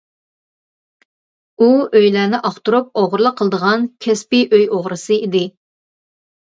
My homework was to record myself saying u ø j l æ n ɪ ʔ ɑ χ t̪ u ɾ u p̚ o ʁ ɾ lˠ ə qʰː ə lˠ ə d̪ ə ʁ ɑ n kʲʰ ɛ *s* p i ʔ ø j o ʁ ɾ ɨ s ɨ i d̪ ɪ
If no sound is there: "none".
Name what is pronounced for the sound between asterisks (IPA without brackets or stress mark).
s